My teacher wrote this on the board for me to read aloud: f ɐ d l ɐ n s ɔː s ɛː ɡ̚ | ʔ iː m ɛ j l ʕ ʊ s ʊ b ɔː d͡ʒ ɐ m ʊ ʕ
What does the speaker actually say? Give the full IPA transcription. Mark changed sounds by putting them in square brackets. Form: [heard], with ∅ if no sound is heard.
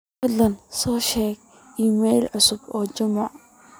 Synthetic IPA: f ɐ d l ɐ n s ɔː [ʃ] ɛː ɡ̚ | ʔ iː m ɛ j l ʕ ʊ s ʊ b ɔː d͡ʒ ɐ m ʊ ʕ